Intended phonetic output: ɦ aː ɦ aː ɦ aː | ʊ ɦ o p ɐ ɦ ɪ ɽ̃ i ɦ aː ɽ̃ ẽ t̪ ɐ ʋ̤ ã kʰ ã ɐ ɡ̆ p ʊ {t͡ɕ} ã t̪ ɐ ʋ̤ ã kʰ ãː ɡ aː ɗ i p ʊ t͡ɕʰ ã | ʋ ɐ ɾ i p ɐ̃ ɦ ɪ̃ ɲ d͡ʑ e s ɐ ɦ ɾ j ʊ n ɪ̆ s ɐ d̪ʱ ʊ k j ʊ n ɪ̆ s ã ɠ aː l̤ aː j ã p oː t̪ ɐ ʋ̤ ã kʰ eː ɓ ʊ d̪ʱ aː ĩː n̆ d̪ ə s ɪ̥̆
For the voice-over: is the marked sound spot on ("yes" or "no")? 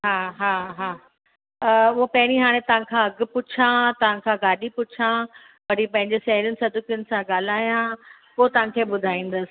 no